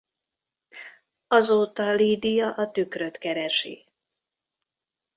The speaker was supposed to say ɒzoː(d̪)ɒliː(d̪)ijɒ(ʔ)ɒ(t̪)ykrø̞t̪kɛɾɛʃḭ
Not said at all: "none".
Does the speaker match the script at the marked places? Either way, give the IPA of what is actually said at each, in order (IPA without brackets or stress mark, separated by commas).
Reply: t̪, d̪, ʔ, t̪